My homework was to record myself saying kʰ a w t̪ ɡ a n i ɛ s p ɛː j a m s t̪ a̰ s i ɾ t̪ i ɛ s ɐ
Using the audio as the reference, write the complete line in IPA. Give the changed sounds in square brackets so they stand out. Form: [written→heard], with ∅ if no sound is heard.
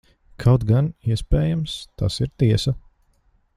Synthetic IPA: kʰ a w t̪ ɡ a n i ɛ s p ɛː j a m s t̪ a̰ s i ɾ t̪ i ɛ s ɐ